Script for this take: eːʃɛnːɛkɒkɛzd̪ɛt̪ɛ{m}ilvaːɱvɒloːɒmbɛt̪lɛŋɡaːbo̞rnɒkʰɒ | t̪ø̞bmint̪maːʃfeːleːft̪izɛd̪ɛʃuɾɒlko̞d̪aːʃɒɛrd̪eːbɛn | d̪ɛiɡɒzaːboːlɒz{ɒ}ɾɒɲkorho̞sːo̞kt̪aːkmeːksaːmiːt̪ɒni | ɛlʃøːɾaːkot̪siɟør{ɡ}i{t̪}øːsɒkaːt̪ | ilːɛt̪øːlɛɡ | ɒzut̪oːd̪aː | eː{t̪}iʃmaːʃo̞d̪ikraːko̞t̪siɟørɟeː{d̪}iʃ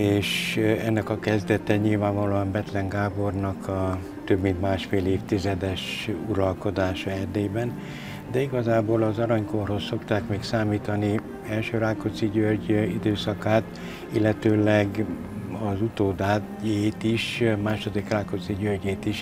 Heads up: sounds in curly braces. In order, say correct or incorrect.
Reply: incorrect: ɲ, correct, incorrect: ɟ, incorrect: d̪, correct, incorrect: t̪

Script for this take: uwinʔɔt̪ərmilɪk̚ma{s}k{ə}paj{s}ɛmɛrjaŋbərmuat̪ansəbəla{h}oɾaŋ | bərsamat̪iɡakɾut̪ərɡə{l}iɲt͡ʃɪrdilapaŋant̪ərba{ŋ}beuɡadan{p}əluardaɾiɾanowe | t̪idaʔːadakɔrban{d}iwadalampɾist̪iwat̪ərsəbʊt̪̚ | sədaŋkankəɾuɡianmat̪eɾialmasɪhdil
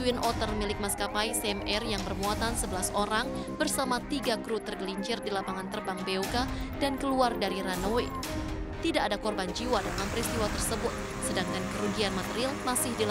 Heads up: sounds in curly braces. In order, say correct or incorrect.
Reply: correct, incorrect: a, correct, incorrect: s, correct, correct, incorrect: k, incorrect: d͡ʒ

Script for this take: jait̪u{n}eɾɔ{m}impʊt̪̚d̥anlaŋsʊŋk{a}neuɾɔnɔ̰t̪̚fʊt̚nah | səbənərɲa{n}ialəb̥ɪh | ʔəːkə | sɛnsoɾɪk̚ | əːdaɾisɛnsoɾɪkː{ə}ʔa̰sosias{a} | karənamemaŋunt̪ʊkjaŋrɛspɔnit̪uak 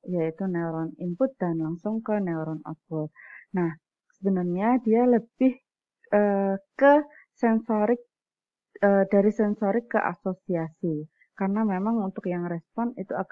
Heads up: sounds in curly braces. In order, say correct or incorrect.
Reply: correct, incorrect: n, incorrect: ə, incorrect: d, correct, incorrect: i

